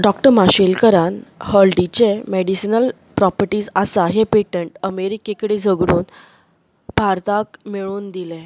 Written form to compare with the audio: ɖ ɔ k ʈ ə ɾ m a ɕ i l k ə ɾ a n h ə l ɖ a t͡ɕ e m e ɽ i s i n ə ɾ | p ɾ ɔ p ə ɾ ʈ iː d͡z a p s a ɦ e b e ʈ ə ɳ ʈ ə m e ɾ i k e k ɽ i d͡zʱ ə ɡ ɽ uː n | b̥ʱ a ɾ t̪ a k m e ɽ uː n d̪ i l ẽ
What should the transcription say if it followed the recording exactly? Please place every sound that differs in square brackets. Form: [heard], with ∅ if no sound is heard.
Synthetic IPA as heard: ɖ ɔ k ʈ ə ɾ m a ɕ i l k ə ɾ a n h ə l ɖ [i] t͡ɕ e m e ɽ i s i n ə [l] | p ɾ ɔ p ə ɾ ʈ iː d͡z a [∅] s a ɦ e [p] e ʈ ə ɳ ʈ ə m e ɾ i k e k ɽ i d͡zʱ ə ɡ ɽ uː n | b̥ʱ a ɾ t̪ a k m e [ɭ] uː n d̪ i l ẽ